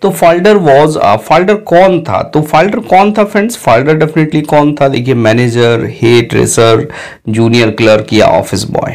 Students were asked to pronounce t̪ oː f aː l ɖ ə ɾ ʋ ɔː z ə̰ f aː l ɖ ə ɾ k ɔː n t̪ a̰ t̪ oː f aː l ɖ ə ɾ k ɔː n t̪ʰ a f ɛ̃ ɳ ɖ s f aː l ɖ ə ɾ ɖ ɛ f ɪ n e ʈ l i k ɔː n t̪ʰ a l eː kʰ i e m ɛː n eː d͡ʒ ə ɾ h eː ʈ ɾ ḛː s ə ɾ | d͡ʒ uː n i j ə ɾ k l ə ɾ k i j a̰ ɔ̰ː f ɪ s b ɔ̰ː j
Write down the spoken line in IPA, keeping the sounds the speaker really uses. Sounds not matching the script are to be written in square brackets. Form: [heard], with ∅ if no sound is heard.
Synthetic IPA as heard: t̪ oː f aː l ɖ ə ɾ ʋ ɔː z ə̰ f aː l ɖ ə ɾ k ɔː n [t̪ʰ] a̰ t̪ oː f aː l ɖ ə ɾ k ɔː n t̪ʰ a f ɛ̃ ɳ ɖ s f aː l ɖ ə ɾ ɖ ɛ f ɪ n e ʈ l i k ɔː n t̪ʰ a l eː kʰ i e m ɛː n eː d͡ʒ ə ɾ h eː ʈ ɾ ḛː s ə ɾ | d͡ʒ uː n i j ə ɾ k l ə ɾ k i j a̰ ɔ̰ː f ɪ s b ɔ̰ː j

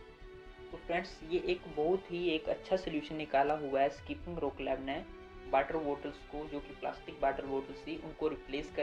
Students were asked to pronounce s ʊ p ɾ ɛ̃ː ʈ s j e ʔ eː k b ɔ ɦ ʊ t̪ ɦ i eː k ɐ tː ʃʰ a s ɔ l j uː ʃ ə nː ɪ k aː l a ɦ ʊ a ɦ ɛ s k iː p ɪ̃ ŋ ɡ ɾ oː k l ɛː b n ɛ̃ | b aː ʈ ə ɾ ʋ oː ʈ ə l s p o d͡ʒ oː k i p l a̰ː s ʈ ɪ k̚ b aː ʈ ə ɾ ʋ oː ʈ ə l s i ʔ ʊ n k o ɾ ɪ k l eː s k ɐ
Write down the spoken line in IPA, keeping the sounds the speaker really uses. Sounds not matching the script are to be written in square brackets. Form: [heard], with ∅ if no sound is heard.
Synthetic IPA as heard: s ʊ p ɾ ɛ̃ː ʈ s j e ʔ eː k b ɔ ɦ ʊ t̪ ɦ i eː k ɐ tː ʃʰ a s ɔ l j uː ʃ ə nː ɪ k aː l a ɦ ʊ a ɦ ɛ s k iː p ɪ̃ ŋ ɡ ɾ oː k l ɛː b n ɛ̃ | b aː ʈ ə ɾ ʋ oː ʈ ə l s [k] o d͡ʒ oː k i p l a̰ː s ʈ ɪ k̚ b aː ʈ ə ɾ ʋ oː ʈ ə l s i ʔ ʊ n k o ɾ ɪ [p] l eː s k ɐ

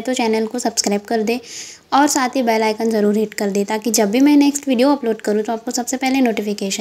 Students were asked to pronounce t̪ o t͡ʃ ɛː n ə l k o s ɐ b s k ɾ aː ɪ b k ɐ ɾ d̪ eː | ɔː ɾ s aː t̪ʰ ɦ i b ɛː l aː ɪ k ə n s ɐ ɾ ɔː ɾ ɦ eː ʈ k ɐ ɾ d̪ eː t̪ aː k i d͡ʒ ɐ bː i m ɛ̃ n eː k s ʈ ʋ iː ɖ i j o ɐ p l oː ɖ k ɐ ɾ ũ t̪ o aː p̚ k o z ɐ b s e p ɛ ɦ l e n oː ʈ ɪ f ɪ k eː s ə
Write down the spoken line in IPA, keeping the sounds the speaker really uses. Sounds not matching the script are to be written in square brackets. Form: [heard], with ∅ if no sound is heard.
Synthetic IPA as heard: t̪ o t͡ʃ ɛː n ə l k o s ɐ b s k ɾ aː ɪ b k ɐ ɾ d̪ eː | ɔː ɾ s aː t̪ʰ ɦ i b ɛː l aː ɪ k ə n [z] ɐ ɾ [uː] ɾ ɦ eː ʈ k ɐ ɾ d̪ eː t̪ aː k i d͡ʒ ɐ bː i m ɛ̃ n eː k s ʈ ʋ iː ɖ i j o ɐ p l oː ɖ k ɐ ɾ ũ t̪ o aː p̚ k o [s] ɐ b s e p ɛ ɦ l e n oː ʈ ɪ f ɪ k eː [ʃ] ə

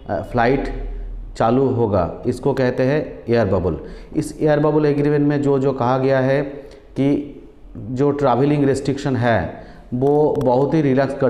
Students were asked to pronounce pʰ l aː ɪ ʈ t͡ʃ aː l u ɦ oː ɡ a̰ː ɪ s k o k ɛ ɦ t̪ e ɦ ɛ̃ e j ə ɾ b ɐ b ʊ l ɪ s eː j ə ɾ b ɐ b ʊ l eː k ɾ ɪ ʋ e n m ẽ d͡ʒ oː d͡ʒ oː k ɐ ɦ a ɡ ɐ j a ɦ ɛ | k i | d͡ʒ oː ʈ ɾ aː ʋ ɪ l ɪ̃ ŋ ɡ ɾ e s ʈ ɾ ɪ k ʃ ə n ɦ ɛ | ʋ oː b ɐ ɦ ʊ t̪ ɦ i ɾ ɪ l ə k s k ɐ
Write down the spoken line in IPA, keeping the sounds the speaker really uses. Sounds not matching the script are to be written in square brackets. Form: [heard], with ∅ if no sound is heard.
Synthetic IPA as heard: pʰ l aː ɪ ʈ t͡ʃ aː l u ɦ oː ɡ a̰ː ɪ s k o k ɛ ɦ t̪ e ɦ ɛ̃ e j ə ɾ b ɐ b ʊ l ɪ s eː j ə ɾ b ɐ b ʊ l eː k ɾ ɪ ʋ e n m ẽ d͡ʒ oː d͡ʒ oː k ɐ ɦ a ɡ ɐ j a ɦ ɛ | k i | d͡ʒ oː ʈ ɾ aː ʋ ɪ l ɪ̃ ŋ ɡ ɾ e s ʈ ɾ ɪ k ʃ ə n ɦ ɛ | ʋ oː b ɐ ɦ ʊ t̪ ɦ i ɾ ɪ l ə k s k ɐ

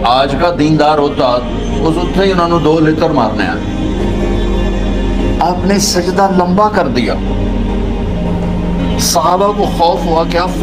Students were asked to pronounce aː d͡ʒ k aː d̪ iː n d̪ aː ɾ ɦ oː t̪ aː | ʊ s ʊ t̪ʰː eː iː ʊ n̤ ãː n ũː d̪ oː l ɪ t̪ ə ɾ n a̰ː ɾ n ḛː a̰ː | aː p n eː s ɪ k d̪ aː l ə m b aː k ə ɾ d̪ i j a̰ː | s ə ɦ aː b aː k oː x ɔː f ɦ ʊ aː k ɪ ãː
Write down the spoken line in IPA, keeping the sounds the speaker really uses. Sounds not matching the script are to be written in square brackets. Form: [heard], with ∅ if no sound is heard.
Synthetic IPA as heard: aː d͡ʒ k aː d̪ iː n d̪ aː ɾ ɦ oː t̪ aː | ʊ s ʊ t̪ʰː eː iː ʊ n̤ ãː n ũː d̪ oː l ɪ t̪ ə ɾ [m] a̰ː ɾ n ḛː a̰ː | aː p n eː s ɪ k d̪ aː l ə m b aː k ə ɾ d̪ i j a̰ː | s ə ɦ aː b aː k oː x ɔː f ɦ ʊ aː k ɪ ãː

